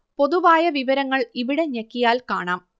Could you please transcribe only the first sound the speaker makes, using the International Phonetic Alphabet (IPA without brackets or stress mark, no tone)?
p